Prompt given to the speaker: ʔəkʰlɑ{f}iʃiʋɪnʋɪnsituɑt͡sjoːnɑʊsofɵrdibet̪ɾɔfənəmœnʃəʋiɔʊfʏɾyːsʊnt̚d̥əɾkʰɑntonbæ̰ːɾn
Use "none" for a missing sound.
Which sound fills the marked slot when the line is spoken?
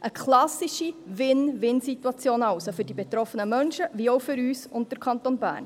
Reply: s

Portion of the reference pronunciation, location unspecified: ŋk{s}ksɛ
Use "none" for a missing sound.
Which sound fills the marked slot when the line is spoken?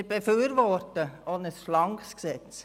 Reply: s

